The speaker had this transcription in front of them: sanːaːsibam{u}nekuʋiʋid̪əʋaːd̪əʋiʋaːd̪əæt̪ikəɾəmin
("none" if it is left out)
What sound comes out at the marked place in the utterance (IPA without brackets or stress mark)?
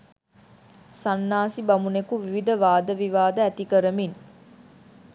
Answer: u